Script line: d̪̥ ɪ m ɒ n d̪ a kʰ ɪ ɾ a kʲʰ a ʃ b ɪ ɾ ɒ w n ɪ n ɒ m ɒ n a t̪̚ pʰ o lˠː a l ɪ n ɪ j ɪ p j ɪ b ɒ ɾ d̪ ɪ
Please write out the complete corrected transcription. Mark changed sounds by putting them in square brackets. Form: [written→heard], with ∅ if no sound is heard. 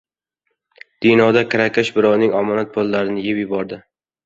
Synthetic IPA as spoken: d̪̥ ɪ [m→n] ɒ [n→∅] d̪ a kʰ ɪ ɾ a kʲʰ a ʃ b ɪ ɾ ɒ w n ɪ [n→ŋ] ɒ m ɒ n a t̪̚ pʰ o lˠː a [l→ɾ] ɪ n ɪ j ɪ p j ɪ b ɒ ɾ d̪ ɪ

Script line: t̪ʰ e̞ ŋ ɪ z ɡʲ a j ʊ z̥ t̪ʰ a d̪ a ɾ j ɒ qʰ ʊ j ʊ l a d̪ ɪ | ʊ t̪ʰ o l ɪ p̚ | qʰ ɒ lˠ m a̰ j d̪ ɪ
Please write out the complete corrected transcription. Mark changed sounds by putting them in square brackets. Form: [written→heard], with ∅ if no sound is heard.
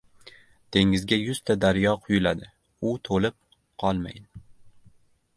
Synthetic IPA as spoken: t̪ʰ e̞ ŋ ɪ z ɡʲ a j ʊ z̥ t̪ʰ a d̪ a ɾ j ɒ qʰ ʊ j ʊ l a d̪ ɪ | ʊ t̪ʰ o l ɪ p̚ | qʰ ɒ lˠ m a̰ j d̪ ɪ

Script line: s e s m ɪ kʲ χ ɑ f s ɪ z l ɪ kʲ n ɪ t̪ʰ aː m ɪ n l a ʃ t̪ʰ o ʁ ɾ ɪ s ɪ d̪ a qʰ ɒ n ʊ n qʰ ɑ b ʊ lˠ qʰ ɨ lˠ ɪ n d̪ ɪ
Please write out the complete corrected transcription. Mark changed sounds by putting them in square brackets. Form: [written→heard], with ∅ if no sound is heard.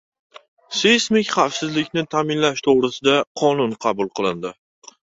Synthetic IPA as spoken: s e s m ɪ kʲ χ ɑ f s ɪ z l ɪ kʲ n ɪ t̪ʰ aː m ɪ n l a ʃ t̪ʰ o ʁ ɾ ɪ s ɪ d̪ a qʰ ɒ n ʊ n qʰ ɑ b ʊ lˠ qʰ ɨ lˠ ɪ n d̪ ɪ

